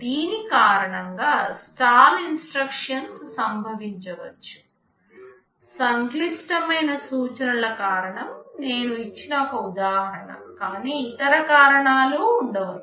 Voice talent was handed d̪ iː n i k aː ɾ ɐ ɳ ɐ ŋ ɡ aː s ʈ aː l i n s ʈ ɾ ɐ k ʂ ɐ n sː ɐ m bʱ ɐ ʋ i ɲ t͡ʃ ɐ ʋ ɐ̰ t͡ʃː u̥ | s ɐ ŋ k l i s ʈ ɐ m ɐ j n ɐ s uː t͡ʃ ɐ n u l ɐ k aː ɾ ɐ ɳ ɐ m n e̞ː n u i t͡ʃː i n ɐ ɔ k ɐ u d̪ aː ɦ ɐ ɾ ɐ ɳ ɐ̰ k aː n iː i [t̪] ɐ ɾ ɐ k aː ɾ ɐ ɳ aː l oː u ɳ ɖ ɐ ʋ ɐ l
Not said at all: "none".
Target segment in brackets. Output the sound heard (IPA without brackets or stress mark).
t̪